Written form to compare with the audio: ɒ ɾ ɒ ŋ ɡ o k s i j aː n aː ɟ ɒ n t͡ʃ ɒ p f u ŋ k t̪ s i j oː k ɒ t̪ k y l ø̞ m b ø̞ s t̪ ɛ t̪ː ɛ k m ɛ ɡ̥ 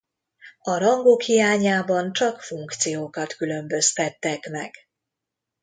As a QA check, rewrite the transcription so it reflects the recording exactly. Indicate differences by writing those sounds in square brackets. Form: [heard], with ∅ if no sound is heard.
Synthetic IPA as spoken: ɒ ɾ ɒ ŋ ɡ o k [h] i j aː [ɲ] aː [b] ɒ n t͡ʃ ɒ [k] f u ŋ k t̪ s i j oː k ɒ t̪ k y l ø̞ m b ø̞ s t̪ ɛ t̪ː ɛ k m ɛ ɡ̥